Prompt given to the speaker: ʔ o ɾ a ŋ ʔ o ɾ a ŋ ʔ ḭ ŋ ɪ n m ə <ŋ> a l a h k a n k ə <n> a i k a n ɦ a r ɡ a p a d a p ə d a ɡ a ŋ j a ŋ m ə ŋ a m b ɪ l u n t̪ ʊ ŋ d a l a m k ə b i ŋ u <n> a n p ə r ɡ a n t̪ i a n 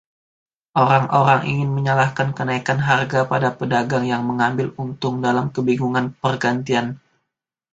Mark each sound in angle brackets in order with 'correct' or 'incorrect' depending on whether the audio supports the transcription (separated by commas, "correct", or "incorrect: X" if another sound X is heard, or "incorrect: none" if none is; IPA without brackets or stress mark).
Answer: incorrect: ɲ, correct, incorrect: ŋ